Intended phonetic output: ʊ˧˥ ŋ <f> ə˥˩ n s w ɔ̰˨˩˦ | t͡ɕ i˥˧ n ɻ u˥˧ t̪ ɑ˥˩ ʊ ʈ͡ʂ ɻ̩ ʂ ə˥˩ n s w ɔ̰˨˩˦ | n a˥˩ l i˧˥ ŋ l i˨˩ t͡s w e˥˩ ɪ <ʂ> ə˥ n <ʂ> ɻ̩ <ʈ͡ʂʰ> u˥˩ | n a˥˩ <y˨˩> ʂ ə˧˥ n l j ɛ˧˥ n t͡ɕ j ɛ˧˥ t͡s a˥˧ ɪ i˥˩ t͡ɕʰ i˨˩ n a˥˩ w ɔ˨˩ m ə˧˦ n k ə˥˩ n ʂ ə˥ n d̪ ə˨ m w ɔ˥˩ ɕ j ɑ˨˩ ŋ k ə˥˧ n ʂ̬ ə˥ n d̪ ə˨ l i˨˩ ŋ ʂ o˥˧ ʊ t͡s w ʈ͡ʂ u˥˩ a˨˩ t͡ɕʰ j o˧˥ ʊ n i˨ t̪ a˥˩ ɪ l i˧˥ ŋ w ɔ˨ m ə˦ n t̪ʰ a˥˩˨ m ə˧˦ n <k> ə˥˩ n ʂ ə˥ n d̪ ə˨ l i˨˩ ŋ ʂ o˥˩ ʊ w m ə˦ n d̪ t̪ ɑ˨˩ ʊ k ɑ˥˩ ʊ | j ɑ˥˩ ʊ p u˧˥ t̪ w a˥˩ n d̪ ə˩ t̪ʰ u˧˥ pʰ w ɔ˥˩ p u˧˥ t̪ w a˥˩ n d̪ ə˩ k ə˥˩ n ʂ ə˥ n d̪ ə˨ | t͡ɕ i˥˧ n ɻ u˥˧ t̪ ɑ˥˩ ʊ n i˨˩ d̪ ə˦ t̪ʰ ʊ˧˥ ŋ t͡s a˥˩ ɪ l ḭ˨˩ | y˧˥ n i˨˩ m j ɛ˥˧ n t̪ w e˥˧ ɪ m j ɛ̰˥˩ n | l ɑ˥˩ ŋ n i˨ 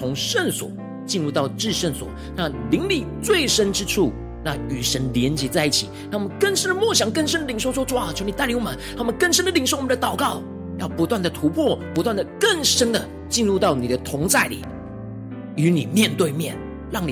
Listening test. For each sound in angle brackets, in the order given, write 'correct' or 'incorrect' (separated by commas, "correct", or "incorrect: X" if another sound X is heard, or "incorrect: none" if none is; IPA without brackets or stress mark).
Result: incorrect: ʂ, correct, incorrect: ʈ͡ʂ, correct, correct, correct